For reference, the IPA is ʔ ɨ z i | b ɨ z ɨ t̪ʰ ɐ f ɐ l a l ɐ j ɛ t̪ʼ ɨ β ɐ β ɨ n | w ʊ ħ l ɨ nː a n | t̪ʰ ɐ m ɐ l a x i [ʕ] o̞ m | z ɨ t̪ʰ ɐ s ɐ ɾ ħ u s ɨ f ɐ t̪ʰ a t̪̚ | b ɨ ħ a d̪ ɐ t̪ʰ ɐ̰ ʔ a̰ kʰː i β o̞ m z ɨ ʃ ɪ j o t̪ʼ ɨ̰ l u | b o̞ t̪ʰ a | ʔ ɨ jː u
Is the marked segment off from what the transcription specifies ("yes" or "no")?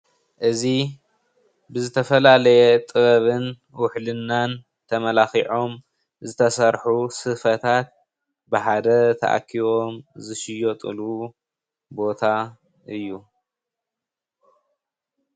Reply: no